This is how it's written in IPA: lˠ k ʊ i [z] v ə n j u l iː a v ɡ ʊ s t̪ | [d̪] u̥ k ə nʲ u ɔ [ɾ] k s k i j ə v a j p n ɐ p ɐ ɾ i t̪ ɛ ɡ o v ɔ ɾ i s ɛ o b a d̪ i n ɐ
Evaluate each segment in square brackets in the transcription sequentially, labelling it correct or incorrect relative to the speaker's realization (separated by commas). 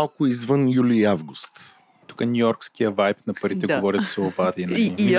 correct, incorrect, correct